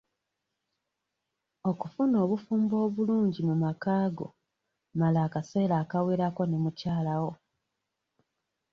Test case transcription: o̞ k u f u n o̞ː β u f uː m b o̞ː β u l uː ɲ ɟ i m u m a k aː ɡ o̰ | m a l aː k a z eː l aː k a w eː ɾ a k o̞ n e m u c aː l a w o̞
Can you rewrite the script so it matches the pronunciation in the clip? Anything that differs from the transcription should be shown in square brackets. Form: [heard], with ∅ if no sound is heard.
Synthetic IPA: o̞ k u f u n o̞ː β u f uː m b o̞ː β u l uː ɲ ɟ i m u m a k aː ɡ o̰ | m a l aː k a [s] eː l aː k a w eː ɾ a k o̞ n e m u c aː l a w o̞